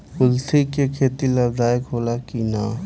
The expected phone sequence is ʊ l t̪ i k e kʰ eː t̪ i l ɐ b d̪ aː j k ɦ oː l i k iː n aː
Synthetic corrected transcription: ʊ l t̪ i k e kʰ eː t̪ i l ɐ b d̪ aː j k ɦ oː l a k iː n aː